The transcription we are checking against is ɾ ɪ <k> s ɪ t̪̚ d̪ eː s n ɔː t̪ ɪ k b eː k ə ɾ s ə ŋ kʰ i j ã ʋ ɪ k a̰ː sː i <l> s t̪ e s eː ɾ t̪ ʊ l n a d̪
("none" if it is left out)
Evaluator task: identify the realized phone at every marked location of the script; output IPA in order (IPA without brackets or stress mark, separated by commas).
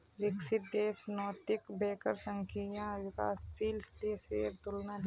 k, l